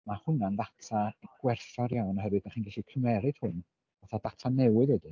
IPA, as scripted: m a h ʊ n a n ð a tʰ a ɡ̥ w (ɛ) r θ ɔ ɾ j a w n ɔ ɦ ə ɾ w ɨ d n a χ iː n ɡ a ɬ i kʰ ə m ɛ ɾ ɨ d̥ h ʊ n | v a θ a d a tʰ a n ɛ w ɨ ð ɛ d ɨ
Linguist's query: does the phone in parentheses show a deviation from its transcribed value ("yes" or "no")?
no